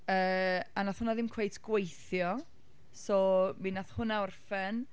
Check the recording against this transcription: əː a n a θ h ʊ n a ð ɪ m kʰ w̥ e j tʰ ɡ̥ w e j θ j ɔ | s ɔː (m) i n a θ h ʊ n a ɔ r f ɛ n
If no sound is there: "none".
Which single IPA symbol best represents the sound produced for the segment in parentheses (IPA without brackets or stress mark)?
m